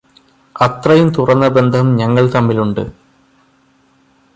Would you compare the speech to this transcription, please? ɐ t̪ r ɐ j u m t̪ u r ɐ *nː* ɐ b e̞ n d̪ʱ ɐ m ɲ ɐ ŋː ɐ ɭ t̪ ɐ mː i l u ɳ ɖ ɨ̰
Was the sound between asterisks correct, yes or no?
yes